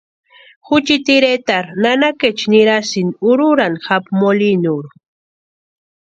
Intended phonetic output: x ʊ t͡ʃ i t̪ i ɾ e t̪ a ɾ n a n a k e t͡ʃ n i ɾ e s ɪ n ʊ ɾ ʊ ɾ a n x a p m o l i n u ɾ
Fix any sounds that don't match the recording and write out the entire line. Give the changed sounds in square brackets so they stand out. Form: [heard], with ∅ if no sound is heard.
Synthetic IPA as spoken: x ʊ t͡ʃ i t̪ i ɾ e t̪ a ɾ n a n a k e t͡ʃ n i ɾ [a] s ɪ n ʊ ɾ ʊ ɾ a n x a p m o l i n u ɾ